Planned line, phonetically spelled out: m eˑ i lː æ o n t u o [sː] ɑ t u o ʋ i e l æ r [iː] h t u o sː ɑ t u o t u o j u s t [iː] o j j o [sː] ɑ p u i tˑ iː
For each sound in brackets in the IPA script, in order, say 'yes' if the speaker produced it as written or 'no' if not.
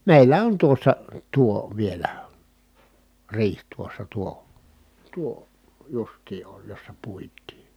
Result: yes, yes, yes, yes

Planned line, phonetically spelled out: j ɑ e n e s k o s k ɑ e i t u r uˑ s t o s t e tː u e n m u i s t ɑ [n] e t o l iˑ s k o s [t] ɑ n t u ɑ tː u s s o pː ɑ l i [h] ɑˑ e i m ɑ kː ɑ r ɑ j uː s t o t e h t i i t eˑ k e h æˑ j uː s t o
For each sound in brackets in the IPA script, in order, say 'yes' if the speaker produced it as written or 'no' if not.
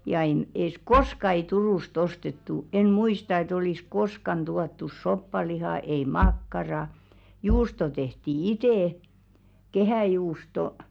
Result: no, no, yes

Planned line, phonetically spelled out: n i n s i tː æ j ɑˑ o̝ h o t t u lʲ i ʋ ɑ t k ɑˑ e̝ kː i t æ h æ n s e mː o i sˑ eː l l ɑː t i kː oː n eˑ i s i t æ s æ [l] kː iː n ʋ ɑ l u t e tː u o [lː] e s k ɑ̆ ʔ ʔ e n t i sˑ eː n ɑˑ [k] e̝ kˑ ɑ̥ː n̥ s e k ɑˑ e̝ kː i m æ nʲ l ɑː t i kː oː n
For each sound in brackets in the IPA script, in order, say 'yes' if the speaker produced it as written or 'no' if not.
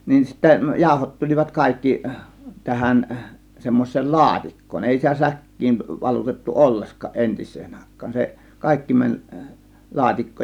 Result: no, yes, no

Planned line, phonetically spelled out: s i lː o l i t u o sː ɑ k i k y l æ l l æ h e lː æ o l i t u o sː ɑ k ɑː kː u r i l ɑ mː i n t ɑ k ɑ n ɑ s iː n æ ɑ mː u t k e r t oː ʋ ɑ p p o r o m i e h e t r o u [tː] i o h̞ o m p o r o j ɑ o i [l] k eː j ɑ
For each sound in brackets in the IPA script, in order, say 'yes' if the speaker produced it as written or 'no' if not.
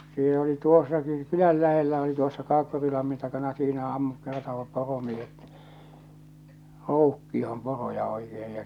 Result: no, no

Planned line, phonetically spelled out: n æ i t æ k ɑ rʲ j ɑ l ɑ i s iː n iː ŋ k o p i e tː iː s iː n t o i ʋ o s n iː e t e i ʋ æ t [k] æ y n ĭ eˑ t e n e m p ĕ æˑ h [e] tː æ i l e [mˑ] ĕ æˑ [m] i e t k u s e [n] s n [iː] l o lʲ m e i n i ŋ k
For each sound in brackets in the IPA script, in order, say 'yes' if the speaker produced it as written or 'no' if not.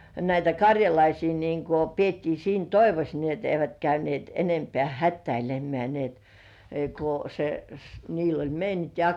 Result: yes, no, yes, no, no, yes

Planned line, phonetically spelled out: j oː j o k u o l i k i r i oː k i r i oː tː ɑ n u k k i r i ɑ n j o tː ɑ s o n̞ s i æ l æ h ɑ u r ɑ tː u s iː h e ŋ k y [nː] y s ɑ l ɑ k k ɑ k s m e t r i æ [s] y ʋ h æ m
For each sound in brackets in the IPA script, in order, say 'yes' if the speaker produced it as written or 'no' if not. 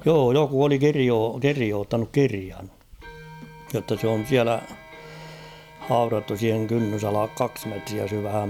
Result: yes, yes

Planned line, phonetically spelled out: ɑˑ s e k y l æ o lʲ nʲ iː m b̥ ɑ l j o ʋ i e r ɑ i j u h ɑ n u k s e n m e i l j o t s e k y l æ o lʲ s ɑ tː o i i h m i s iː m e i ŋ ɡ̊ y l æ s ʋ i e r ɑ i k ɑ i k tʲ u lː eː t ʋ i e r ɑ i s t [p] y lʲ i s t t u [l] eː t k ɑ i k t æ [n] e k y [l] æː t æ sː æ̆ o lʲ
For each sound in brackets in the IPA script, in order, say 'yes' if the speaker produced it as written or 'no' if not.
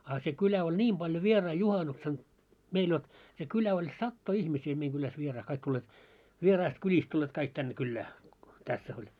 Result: no, no, no, no

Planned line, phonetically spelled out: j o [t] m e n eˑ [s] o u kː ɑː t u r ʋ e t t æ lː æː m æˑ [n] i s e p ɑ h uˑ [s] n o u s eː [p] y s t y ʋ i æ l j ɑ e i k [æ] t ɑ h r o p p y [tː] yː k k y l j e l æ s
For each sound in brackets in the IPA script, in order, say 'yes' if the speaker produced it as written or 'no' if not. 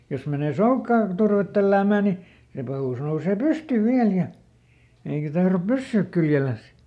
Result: no, yes, yes, yes, yes, yes, no

